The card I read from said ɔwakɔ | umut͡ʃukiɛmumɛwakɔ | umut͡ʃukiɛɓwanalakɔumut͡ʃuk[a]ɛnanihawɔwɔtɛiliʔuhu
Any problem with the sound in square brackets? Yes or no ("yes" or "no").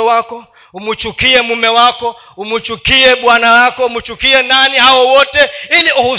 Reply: yes